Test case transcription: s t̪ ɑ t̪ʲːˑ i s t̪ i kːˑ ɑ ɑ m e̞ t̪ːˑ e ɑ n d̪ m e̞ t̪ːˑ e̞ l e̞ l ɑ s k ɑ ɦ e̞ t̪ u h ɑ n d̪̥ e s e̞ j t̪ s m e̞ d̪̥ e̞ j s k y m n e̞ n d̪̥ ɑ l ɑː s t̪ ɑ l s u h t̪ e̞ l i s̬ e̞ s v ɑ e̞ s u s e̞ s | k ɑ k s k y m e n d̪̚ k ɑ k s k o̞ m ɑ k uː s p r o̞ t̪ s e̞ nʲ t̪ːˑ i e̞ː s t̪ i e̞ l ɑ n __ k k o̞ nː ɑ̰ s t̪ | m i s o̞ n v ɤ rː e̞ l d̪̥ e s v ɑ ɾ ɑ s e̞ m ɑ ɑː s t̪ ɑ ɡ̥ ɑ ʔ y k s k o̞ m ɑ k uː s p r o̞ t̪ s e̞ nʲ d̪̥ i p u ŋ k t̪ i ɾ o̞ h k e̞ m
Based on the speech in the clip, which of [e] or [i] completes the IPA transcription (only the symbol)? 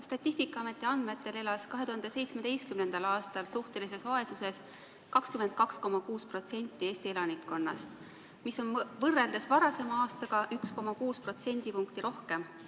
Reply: i